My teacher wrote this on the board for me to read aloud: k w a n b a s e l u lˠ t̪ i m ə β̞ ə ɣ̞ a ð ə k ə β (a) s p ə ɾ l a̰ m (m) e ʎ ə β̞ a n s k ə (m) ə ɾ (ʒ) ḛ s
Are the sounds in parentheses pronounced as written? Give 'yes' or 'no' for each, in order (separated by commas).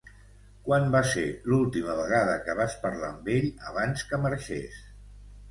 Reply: yes, no, yes, no